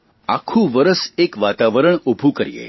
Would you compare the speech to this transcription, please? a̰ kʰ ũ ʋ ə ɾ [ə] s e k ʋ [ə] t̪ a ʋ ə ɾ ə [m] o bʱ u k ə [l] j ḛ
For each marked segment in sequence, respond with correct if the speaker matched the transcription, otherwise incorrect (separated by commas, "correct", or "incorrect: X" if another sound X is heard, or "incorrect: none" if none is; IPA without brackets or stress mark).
correct, incorrect: a, incorrect: ɳ, incorrect: ɾ